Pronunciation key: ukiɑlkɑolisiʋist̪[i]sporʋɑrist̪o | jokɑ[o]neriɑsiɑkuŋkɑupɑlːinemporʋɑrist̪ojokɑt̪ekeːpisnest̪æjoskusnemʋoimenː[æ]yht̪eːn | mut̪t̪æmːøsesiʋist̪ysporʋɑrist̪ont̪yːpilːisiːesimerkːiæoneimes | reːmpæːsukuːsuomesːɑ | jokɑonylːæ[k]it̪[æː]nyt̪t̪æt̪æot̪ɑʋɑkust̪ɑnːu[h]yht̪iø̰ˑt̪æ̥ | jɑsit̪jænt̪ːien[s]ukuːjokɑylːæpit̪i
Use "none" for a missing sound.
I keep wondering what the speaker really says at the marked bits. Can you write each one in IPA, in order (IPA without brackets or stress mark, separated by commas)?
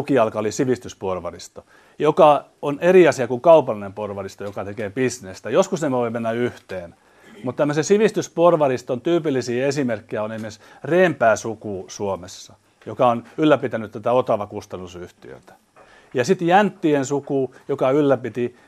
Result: y, o, æ, p, æ, s, s